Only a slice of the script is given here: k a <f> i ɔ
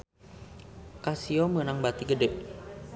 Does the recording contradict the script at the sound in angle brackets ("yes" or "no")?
yes